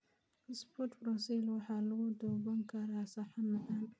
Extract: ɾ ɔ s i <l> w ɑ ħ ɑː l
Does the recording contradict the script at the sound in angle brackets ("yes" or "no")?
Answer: no